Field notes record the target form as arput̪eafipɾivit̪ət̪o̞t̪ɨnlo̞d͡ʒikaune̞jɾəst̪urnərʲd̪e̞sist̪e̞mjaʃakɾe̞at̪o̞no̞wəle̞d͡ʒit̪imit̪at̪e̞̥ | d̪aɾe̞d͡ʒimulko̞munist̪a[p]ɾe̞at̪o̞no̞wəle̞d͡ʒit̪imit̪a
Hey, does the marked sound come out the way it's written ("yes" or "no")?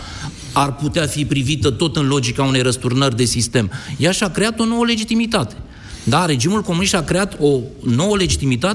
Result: no